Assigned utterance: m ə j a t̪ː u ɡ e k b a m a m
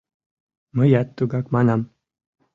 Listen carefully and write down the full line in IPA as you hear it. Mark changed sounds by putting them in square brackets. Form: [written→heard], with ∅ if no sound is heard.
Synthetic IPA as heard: m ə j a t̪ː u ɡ [e→a] k [b→m] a [m→n] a m